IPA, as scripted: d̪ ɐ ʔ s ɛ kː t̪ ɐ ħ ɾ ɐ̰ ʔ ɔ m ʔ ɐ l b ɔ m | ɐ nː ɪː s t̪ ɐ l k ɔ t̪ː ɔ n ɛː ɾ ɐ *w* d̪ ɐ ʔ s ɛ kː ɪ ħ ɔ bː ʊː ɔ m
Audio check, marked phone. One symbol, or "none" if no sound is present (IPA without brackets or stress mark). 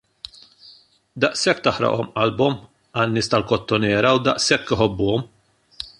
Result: w